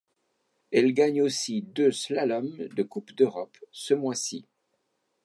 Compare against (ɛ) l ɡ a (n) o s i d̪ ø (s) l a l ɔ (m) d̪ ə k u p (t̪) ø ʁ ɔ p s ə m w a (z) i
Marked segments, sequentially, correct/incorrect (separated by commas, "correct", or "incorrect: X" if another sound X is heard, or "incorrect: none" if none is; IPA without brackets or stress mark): correct, incorrect: ɲ, correct, correct, incorrect: d̪, incorrect: s